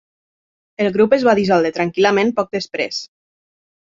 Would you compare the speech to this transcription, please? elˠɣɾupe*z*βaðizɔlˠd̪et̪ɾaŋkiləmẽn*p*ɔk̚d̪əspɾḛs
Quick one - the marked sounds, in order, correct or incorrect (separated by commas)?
correct, correct